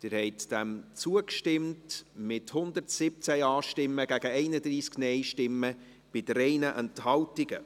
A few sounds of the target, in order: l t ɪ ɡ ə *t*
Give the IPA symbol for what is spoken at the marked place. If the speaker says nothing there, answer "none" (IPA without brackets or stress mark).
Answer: none